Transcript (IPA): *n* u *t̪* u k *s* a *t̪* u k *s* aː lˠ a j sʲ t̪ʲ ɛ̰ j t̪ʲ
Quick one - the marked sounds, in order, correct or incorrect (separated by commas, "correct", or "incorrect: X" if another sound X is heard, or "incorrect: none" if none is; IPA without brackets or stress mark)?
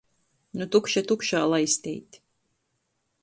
correct, correct, incorrect: ʃ, correct, incorrect: ʃ